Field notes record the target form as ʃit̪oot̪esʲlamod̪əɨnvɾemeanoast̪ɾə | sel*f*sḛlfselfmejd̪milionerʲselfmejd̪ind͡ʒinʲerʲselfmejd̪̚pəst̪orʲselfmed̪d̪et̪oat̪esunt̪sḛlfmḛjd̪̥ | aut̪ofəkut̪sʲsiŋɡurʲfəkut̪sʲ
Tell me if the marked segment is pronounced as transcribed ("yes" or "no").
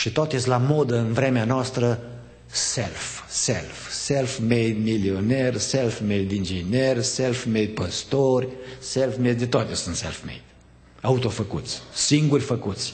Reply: yes